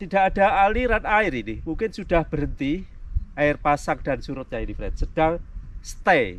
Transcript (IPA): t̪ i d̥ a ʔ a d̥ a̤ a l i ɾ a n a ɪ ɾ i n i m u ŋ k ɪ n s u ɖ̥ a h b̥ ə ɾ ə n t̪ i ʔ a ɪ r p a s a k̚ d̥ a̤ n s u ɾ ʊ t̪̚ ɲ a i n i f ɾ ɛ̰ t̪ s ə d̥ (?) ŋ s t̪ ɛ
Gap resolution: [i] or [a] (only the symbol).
a